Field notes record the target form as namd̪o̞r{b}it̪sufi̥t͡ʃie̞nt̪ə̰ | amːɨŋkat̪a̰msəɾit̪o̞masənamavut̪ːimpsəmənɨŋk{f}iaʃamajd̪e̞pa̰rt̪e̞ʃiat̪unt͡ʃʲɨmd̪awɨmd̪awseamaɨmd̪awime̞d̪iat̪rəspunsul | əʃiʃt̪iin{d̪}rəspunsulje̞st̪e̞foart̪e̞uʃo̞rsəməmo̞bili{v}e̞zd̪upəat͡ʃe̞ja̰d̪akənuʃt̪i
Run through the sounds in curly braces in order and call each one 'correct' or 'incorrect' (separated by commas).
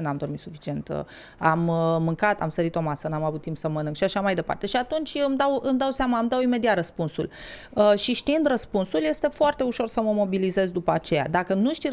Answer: incorrect, incorrect, correct, incorrect